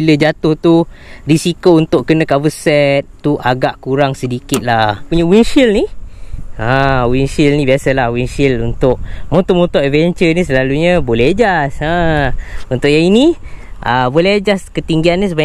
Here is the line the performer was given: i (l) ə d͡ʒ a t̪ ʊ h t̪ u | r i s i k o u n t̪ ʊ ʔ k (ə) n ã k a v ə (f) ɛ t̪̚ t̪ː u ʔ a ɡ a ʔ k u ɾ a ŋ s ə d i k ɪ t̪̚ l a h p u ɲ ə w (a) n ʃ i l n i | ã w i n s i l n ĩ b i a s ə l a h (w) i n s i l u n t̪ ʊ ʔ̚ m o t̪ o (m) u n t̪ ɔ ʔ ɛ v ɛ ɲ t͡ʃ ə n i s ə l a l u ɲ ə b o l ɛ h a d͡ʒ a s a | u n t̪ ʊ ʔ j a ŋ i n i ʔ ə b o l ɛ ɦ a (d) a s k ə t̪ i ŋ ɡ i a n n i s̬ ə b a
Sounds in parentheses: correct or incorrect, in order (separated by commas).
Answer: correct, correct, incorrect, incorrect, correct, correct, incorrect